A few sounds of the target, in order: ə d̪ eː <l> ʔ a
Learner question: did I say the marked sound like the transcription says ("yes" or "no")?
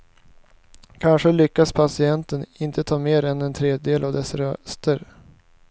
yes